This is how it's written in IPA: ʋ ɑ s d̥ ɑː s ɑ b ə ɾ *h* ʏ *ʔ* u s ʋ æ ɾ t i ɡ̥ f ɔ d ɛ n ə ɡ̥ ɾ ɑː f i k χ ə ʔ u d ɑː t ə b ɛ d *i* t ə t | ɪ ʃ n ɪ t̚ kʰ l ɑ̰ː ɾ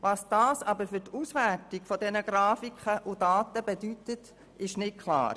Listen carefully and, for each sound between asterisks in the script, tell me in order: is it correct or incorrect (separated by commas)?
incorrect, incorrect, incorrect